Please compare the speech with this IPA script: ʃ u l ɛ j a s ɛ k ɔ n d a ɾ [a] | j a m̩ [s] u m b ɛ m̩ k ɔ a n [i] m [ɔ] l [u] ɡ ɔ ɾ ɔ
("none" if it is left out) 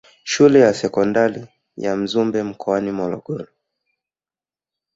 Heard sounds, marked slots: i, z, i, ɔ, ɔ

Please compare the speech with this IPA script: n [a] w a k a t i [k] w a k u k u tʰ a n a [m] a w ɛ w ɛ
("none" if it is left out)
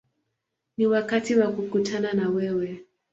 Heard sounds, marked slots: i, none, n

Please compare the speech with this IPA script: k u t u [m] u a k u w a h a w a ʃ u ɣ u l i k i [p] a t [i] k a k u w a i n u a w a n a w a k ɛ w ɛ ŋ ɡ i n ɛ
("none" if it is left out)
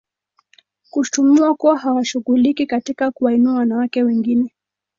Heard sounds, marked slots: m, k, i

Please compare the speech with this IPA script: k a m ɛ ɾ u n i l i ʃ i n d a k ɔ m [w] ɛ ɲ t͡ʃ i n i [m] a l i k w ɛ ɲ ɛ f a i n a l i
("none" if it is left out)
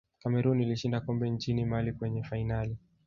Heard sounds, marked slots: b, m

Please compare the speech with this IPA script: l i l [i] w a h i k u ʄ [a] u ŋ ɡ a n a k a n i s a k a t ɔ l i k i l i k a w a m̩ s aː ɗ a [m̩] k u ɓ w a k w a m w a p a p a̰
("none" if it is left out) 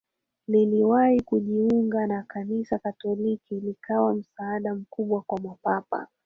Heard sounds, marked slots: i, i, m̩

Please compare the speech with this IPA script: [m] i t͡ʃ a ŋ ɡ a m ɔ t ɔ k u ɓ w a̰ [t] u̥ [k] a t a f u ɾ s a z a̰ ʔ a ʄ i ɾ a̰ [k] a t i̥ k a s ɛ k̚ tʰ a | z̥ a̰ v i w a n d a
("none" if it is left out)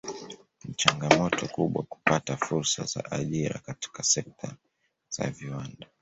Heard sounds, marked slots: n, k, p, k

